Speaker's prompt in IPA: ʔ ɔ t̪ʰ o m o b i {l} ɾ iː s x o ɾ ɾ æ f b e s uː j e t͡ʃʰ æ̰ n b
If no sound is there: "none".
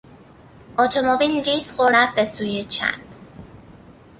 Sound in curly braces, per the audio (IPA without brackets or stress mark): l